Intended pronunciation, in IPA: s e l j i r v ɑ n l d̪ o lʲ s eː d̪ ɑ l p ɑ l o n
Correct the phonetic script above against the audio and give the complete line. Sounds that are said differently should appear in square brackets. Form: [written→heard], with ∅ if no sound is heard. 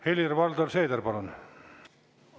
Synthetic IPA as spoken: [s→h] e l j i r [v→ʋ] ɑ [n→∅] l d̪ o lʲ s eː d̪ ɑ [l→r] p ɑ l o n